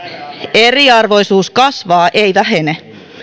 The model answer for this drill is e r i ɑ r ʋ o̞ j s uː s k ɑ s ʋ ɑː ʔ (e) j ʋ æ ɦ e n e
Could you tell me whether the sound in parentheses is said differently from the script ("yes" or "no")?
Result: no